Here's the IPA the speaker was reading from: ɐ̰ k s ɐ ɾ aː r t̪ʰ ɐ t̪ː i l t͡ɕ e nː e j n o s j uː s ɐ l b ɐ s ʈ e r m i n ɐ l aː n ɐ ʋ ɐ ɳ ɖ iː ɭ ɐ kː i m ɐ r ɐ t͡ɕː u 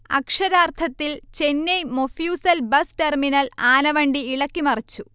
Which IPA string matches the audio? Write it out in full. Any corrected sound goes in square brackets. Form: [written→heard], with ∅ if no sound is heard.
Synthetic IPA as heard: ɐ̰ k [s→ʂ] ɐ ɾ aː r t̪ʰ ɐ t̪ː i l t͡ɕ e nː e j [n→m] o [s→f] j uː s ɐ l b ɐ s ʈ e r m i n ɐ l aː n ɐ ʋ ɐ ɳ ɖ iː ɭ ɐ kː i m ɐ r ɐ t͡ɕː u